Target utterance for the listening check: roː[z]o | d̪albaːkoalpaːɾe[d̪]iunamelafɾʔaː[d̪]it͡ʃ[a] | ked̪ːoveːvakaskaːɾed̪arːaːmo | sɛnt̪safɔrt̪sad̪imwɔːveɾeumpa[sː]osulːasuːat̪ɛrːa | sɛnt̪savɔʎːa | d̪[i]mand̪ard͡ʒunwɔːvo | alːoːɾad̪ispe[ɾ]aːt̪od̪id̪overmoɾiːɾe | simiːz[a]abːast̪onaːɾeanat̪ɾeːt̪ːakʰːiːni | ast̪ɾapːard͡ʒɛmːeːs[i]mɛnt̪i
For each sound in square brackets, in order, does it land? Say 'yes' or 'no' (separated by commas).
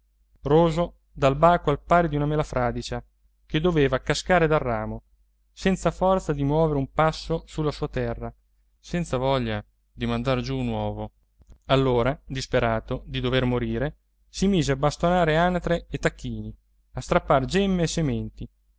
yes, yes, yes, yes, yes, yes, yes, no, no